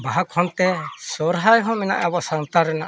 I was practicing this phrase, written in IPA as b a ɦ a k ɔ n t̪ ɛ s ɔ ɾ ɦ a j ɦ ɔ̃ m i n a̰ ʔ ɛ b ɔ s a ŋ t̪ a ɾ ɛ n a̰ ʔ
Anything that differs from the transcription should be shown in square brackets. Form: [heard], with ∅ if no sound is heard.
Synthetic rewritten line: b a ɦ a [kʰ] ɔ n t̪ ɛ s ɔ ɾ ɦ a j ɦ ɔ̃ m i n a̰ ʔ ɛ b ɔ s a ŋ t̪ a ɾ ɛ n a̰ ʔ